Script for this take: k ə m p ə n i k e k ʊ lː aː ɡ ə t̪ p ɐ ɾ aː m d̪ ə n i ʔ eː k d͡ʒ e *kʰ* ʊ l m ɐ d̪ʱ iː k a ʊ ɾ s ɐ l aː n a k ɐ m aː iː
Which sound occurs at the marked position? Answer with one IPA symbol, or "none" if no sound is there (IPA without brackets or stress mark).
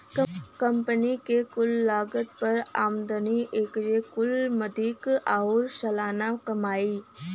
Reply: k